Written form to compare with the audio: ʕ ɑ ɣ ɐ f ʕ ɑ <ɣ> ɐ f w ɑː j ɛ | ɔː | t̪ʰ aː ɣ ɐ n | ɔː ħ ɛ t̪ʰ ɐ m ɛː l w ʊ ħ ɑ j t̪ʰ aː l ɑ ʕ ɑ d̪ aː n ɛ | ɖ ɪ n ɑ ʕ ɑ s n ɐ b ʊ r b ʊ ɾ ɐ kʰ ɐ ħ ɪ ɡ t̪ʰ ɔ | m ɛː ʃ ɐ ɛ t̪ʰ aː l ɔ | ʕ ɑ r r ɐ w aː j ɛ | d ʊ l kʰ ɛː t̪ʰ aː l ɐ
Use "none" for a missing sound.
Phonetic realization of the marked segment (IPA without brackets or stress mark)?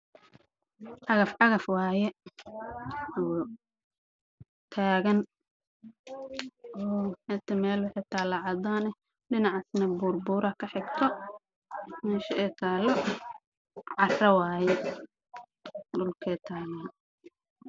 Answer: ɣ